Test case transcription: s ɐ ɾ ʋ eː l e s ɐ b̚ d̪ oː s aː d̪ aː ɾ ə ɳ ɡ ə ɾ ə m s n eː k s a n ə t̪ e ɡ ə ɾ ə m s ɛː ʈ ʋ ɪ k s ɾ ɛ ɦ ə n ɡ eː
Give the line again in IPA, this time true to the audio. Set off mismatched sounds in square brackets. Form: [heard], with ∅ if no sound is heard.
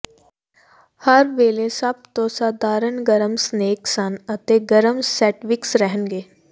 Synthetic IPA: [h] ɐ ɾ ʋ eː l e s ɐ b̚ [t̪] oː s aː d̪ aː ɾ ə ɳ ɡ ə ɾ ə m s n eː k s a n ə t̪ e ɡ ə ɾ ə m s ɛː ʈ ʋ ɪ k s ɾ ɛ ɦ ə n ɡ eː